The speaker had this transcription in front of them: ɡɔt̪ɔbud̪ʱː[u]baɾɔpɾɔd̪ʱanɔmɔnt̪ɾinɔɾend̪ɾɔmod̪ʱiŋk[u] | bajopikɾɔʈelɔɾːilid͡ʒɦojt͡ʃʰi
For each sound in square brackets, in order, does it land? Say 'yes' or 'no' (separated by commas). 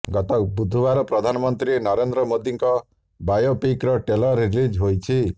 yes, no